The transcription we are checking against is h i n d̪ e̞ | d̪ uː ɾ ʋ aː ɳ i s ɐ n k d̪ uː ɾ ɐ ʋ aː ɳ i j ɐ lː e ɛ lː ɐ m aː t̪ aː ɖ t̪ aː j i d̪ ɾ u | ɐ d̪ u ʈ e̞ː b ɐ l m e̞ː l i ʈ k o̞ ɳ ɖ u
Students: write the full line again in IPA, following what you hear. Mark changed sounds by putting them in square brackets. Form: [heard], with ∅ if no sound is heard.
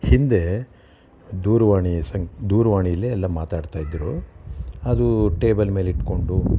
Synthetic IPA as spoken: h i n d̪ e̞ | d̪ uː ɾ ʋ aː ɳ i s ɐ [ŋ] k d̪ uː ɾ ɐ ʋ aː ɳ i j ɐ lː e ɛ lː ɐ m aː t̪ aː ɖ t̪ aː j i d̪ ɾ u | ɐ d̪ u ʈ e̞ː b ɐ l m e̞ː l i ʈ k o̞ ɳ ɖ u